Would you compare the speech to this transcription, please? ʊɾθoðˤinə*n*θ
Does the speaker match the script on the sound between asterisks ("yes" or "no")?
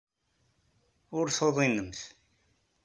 no